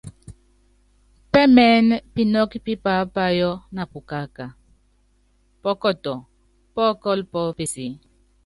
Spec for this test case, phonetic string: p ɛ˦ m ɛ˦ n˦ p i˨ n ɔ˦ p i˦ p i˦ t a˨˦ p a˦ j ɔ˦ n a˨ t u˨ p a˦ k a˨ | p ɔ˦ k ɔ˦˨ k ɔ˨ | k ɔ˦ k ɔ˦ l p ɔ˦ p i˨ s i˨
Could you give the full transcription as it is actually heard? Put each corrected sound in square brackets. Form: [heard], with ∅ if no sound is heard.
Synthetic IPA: p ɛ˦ m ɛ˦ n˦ p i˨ n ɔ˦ [k] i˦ p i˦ [p] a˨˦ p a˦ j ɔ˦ n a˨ [p] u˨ [k] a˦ k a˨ | p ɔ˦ k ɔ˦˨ [t] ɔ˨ | [p] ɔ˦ k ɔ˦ l p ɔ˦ p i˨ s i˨